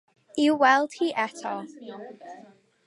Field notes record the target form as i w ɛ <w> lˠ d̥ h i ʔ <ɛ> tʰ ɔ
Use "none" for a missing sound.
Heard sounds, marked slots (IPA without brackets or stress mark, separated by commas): none, ɛ